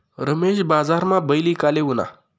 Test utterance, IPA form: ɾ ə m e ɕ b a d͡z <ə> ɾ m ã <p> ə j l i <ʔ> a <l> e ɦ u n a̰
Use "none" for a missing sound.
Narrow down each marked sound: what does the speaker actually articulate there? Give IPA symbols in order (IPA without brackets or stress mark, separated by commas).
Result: a, b, k, l